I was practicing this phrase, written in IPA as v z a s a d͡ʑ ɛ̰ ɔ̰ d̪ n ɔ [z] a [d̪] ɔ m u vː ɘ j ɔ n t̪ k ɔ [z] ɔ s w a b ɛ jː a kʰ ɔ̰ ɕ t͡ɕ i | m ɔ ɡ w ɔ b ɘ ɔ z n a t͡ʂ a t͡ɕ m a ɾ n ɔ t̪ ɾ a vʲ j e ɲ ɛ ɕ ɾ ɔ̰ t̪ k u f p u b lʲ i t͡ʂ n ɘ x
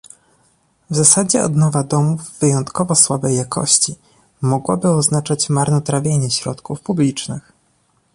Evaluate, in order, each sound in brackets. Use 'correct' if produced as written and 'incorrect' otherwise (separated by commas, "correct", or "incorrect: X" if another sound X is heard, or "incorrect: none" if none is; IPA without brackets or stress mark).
incorrect: v, correct, incorrect: v